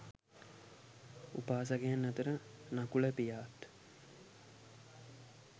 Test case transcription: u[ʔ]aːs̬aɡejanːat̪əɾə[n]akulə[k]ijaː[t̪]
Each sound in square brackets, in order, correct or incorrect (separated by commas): incorrect, correct, incorrect, correct